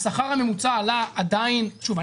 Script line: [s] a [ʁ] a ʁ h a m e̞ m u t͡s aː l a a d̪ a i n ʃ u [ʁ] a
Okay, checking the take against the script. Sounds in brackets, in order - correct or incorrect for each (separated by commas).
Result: correct, incorrect, incorrect